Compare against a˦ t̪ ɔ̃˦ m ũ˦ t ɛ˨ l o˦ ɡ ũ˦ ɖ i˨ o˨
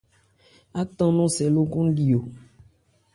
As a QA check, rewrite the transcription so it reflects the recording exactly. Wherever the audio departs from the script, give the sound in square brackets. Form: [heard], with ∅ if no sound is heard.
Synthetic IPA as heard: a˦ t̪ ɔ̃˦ [n] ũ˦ [s] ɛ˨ l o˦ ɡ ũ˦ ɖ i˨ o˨

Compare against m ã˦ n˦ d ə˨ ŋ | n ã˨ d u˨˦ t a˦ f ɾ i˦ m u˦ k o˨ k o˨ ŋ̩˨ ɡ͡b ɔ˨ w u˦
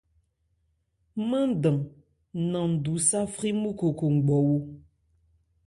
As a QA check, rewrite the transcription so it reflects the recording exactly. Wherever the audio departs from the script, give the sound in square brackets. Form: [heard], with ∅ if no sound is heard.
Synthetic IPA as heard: m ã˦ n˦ d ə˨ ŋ | n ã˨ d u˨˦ [s] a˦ f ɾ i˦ m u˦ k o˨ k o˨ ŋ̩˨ ɡ͡b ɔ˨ w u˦

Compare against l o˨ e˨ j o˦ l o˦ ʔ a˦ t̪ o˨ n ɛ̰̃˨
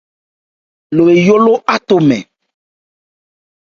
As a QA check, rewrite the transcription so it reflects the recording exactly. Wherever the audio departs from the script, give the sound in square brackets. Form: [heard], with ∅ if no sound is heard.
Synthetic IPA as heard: l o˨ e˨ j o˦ l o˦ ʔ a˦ t̪ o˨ [m] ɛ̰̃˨

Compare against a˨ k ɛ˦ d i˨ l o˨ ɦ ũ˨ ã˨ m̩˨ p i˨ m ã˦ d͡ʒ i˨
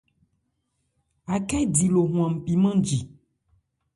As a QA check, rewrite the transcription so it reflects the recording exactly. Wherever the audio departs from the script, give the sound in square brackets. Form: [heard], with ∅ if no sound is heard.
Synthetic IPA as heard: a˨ k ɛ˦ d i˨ l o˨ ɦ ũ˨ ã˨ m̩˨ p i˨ m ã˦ d͡ʒ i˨

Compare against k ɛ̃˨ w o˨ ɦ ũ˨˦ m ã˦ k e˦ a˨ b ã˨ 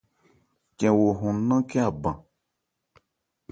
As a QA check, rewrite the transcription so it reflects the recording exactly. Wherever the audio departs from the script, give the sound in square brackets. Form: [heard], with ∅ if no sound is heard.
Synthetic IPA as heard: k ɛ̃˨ w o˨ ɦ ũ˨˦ [n] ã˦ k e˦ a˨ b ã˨

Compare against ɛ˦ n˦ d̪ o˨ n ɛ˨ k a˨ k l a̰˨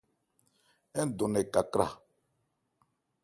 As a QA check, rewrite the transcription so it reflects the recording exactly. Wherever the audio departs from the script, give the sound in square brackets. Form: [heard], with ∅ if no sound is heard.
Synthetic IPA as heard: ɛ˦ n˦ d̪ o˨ n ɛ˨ k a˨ k [ɾ] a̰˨

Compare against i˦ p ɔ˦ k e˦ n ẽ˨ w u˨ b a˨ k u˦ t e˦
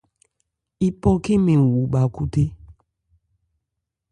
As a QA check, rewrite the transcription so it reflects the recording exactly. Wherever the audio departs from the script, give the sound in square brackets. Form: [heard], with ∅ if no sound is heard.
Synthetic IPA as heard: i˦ p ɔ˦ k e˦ [m] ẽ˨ w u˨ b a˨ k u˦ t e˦

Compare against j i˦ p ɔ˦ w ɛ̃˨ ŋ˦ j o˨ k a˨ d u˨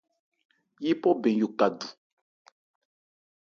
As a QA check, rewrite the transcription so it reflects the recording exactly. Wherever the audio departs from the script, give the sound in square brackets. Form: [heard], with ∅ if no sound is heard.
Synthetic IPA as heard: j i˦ p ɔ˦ [b] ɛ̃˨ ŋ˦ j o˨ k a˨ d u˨

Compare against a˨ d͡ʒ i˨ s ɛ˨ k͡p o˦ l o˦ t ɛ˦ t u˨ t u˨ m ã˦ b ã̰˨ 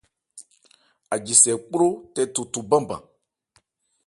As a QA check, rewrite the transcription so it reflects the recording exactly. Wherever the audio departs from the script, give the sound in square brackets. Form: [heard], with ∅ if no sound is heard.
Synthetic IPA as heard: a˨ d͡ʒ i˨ s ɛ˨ k͡p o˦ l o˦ t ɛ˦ t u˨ t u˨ [b] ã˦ b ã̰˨

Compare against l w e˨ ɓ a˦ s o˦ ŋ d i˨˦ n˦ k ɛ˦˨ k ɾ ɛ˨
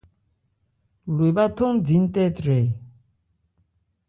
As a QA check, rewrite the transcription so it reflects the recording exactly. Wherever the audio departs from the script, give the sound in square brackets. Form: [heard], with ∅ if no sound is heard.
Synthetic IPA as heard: l w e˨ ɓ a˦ [t] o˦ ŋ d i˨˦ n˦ [t] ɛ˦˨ [t] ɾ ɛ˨

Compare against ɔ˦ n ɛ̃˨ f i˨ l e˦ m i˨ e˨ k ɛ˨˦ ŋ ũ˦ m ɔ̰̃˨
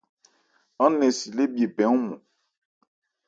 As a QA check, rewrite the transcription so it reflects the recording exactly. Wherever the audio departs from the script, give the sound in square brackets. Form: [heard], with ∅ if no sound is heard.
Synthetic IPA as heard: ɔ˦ n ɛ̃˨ [s] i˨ l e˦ [b] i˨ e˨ [p] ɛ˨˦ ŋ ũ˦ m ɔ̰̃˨

